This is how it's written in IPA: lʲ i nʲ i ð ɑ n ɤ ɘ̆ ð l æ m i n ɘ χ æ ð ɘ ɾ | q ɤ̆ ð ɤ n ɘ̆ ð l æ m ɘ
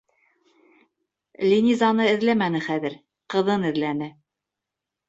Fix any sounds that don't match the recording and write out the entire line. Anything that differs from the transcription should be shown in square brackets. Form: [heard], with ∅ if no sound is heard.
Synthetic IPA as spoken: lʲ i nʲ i [z] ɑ n ɤ ɘ̆ ð l æ m [æ] n ɘ χ æ ð ɘ ɾ | q ɤ̆ ð ɤ n ɘ̆ ð l æ [n] ɘ